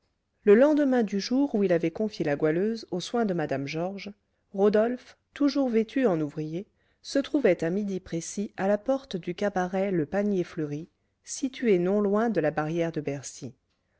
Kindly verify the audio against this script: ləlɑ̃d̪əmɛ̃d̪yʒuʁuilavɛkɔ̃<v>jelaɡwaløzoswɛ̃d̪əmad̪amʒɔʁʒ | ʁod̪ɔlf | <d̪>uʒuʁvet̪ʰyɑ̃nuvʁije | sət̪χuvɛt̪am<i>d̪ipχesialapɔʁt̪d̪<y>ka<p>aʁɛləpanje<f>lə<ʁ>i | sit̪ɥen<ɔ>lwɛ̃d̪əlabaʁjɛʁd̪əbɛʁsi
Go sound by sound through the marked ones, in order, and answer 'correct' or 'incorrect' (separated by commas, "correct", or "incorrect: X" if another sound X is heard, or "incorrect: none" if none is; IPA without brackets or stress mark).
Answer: incorrect: f, incorrect: t̪, correct, correct, incorrect: b, correct, correct, incorrect: ɔ̃